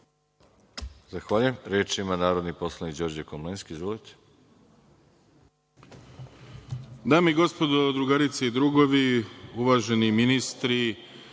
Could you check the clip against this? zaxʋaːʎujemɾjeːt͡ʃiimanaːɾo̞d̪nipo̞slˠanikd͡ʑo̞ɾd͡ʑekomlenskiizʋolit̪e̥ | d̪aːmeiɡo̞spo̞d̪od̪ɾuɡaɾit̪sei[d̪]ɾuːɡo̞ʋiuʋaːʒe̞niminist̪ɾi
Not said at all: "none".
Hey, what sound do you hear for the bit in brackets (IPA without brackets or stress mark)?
d̪